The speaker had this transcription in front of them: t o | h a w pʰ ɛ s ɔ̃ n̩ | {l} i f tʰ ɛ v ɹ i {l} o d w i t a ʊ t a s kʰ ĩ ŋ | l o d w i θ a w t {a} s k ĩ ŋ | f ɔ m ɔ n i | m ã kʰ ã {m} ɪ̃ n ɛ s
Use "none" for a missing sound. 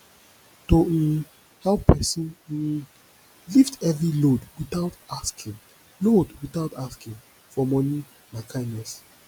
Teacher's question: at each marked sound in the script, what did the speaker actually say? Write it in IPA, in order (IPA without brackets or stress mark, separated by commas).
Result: l, l, a, none